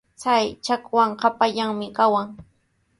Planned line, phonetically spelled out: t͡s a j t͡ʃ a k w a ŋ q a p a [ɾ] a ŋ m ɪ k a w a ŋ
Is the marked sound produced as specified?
no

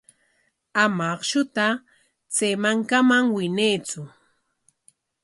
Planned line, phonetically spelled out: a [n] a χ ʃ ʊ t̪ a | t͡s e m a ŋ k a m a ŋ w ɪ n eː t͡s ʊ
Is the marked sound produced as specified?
no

